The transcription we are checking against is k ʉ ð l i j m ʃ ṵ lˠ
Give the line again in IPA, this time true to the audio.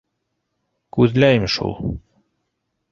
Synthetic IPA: k ʉ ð l æ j m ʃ ṵ lˠ